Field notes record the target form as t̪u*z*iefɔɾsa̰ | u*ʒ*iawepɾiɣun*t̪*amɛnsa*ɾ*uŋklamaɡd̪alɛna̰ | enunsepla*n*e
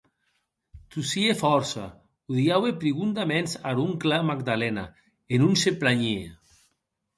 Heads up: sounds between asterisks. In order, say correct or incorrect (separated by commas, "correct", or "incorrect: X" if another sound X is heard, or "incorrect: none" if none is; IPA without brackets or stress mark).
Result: incorrect: s, incorrect: ð, incorrect: d̪, correct, incorrect: ɲ